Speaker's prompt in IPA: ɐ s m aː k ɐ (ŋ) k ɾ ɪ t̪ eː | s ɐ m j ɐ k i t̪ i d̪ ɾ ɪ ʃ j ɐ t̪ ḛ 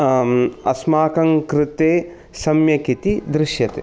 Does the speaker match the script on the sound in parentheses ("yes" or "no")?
yes